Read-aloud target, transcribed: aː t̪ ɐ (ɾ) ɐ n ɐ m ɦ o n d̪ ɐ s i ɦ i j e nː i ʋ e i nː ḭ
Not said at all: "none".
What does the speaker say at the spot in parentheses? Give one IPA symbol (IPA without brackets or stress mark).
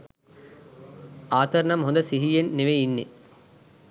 ɾ